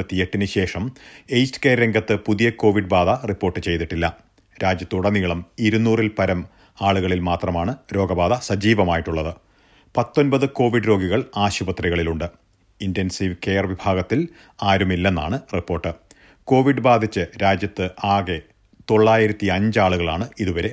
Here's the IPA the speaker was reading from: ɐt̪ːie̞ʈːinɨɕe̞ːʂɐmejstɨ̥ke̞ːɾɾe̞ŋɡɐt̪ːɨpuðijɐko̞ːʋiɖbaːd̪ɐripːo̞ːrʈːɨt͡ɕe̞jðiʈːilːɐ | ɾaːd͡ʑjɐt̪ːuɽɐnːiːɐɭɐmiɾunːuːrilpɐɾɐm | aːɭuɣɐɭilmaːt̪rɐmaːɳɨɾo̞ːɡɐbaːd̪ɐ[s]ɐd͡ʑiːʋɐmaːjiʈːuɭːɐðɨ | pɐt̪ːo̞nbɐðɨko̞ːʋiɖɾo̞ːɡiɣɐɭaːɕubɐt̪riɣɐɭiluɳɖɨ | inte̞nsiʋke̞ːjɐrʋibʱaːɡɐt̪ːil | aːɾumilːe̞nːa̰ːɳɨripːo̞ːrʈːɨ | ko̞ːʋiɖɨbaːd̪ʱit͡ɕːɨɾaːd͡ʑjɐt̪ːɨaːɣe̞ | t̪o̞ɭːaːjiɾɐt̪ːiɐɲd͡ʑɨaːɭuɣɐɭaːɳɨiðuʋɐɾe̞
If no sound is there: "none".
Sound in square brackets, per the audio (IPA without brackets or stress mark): s